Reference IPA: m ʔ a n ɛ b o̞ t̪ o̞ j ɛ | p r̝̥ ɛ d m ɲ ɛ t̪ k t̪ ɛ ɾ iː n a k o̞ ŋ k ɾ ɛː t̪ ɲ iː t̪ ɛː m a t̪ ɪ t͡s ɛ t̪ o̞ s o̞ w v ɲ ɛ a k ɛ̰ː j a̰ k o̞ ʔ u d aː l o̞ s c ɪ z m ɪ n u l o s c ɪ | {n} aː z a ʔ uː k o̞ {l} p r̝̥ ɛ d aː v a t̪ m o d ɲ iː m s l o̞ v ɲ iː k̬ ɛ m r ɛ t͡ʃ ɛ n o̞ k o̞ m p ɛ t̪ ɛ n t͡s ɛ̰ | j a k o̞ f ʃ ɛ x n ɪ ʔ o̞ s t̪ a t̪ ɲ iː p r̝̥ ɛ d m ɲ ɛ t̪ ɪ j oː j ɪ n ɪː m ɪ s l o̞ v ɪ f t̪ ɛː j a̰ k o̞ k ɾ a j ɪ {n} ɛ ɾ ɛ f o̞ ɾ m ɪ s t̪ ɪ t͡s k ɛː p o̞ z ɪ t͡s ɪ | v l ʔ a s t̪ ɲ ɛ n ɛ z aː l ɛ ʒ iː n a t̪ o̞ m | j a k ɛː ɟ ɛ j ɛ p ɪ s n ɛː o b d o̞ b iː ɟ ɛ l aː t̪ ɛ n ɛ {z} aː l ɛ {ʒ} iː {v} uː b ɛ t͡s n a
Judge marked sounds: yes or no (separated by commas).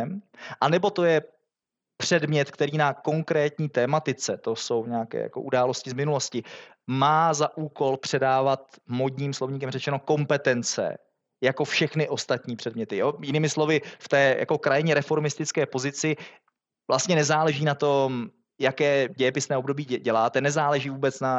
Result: no, yes, no, yes, yes, yes